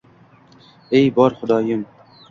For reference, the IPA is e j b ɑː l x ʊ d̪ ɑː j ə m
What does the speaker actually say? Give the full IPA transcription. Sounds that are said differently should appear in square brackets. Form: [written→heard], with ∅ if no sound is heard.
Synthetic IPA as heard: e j b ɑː [l→ɾ] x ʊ d̪ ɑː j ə m